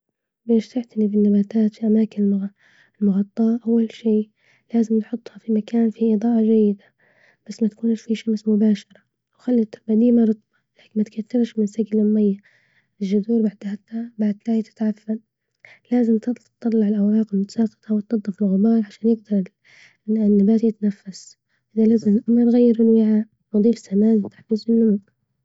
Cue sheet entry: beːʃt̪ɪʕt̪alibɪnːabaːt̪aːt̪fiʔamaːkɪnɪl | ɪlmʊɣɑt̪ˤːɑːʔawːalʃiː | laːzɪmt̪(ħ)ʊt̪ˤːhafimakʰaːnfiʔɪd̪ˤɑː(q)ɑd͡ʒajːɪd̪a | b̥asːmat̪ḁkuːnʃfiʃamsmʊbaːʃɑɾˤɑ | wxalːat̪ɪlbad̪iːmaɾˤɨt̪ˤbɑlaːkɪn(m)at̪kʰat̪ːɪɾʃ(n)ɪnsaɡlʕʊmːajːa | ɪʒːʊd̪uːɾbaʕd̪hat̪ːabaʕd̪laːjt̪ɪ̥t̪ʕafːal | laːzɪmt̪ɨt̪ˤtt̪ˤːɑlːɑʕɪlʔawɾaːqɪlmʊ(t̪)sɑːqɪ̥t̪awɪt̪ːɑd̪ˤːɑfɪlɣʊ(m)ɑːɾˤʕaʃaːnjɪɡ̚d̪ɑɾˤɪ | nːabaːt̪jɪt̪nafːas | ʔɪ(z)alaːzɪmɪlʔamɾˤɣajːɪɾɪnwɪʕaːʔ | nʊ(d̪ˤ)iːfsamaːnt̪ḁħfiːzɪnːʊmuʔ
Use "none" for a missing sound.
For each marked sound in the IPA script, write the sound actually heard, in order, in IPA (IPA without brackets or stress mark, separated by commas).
ħ, ʔ, m, m, t̪, b, ð, d̪ˤ